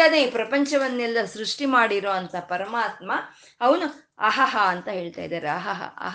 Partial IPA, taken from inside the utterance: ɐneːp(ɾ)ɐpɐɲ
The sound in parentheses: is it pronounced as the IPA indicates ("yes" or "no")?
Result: yes